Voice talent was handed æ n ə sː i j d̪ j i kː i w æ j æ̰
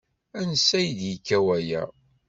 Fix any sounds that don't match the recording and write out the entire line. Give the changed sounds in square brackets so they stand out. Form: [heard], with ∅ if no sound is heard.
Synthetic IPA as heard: æ n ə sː [æ] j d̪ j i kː [æ] w æ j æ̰